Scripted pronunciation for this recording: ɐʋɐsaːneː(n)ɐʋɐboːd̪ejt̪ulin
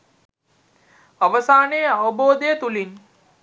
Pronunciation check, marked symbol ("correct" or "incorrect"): incorrect